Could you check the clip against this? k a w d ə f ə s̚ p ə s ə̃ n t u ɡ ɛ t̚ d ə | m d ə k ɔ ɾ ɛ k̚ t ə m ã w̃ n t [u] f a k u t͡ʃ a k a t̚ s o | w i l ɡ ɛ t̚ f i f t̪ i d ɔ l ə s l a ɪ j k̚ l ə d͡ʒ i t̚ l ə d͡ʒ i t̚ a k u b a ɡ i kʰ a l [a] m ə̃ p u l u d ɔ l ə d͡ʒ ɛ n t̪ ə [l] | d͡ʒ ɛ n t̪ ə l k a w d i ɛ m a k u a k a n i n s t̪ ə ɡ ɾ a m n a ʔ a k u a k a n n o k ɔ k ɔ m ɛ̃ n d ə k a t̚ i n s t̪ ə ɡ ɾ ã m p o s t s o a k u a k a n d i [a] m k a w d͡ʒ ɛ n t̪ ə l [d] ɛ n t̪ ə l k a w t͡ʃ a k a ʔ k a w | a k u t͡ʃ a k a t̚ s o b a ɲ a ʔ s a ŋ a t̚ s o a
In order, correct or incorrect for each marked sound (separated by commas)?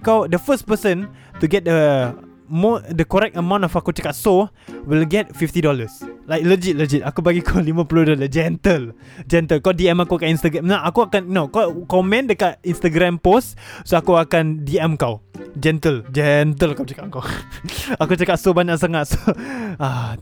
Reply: incorrect, incorrect, correct, incorrect, incorrect